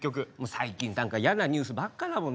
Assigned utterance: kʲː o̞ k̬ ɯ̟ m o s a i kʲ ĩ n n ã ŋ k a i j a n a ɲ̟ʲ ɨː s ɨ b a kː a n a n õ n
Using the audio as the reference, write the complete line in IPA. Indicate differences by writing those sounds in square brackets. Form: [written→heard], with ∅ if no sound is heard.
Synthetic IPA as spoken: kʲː o̞ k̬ ɯ̟ m o s a i kʲ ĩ n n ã ŋ k a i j a n a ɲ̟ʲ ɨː s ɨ b a kː a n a [n→m] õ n